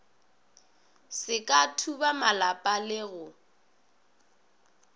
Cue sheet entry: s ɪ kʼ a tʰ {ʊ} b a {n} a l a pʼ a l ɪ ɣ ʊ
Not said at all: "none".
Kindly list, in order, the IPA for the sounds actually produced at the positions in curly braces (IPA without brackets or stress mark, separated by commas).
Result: u, m